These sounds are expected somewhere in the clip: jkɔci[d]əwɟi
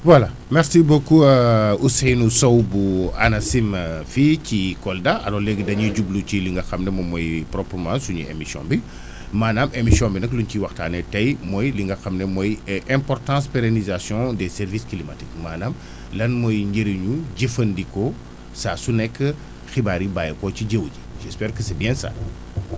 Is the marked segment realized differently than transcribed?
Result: yes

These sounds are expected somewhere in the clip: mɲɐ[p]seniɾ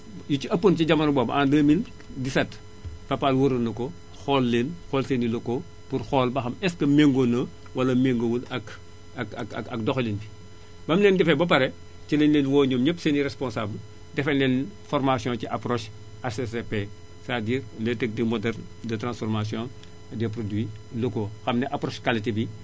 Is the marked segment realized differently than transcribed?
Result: no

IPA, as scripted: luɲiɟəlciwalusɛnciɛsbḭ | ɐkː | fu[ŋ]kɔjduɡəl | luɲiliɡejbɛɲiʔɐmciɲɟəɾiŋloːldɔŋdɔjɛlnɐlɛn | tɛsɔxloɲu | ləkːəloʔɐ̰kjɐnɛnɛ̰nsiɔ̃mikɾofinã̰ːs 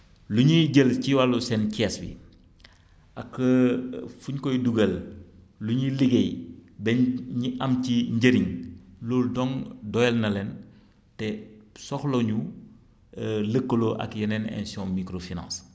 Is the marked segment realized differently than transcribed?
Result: yes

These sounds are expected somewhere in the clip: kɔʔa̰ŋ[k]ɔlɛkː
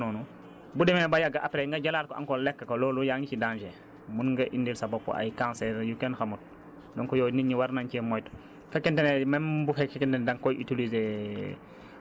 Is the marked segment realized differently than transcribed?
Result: no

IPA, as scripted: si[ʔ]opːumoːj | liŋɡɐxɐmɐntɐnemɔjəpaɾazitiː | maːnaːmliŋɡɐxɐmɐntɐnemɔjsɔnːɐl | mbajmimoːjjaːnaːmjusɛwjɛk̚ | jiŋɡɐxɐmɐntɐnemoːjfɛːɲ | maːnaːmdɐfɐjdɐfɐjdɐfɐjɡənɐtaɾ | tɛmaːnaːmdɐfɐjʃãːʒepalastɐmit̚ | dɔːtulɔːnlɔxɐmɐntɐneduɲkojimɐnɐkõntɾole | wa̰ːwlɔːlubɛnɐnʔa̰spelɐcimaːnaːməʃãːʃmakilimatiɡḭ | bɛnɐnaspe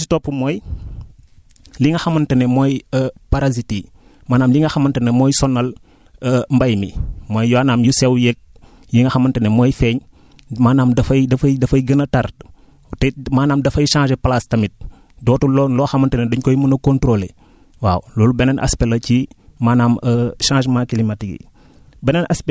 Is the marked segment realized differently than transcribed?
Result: yes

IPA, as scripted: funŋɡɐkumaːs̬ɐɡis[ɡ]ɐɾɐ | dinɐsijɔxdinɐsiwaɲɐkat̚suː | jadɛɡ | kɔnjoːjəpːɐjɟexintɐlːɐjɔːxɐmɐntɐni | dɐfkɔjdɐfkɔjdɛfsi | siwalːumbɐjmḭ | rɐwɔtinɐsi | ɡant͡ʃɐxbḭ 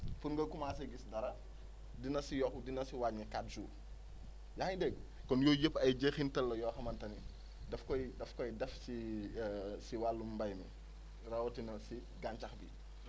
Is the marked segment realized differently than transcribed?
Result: yes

